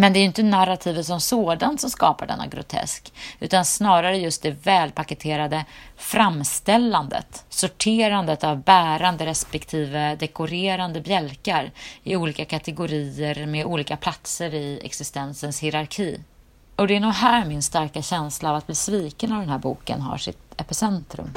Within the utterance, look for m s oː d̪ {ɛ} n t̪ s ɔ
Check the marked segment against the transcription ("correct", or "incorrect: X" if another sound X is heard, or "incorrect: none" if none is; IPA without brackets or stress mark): incorrect: a